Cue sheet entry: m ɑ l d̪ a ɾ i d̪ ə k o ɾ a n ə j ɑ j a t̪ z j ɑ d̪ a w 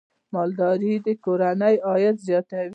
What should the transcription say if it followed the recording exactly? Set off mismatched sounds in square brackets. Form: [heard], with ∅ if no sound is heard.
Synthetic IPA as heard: m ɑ l d̪ [ɑ] ɾ i d̪ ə k o ɾ a n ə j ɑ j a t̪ z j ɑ [t̪] a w